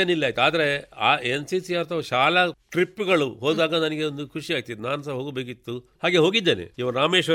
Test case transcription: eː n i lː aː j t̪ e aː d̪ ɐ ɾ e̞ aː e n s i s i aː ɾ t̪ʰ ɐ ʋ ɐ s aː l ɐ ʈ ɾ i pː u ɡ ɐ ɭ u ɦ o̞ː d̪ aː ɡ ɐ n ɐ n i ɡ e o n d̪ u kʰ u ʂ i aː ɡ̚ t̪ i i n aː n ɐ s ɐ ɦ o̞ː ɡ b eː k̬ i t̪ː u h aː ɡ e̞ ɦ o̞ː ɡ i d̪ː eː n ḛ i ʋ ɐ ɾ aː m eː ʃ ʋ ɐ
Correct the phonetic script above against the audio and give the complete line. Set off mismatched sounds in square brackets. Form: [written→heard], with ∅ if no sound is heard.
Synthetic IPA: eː n i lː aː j t̪ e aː d̪ ɐ ɾ e̞ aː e n s i s i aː ɾ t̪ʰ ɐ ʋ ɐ [s→ʃ] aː l ɐ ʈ ɾ i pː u ɡ ɐ ɭ u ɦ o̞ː d̪ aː ɡ ɐ n ɐ n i ɡ e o n d̪ u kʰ u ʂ i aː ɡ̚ t̪ i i n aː n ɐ s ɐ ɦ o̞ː ɡ b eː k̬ i t̪ː u h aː ɡ e̞ ɦ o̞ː ɡ i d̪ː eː n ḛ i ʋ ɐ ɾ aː m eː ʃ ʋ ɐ